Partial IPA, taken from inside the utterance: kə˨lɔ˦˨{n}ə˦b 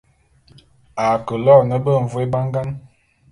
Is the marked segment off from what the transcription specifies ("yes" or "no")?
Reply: no